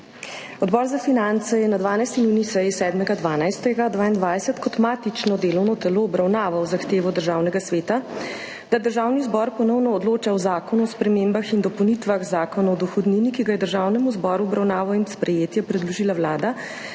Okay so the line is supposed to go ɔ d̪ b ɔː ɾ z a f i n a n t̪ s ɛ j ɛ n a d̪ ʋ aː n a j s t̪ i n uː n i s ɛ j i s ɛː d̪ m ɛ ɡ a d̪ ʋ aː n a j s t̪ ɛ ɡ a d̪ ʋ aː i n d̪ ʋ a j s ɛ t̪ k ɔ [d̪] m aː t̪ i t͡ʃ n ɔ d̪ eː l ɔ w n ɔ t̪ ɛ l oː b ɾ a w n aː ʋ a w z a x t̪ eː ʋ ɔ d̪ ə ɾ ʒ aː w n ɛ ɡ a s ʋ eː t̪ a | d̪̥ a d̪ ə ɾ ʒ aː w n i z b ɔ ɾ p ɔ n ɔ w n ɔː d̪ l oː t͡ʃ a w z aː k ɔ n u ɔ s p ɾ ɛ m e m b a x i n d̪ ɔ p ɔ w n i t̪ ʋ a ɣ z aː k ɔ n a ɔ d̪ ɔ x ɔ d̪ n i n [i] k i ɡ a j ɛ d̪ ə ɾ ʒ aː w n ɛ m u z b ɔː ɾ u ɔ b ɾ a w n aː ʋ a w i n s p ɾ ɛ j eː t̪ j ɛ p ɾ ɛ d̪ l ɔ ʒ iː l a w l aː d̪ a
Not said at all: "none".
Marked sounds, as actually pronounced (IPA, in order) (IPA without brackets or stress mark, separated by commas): t̪, i